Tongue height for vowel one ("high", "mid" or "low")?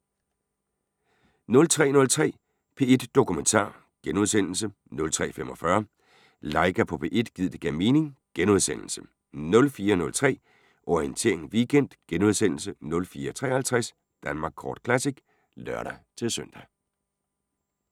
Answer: mid